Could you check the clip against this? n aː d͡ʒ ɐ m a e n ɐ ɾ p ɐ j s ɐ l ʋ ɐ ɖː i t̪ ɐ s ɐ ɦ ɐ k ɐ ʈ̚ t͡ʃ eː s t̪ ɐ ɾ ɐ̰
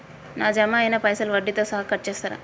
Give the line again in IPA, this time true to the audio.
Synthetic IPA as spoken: n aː d͡ʒ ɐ m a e n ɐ p ɐ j s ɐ l ʋ ɐ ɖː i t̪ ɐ s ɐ ɦ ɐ k ɐ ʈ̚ t͡ʃ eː s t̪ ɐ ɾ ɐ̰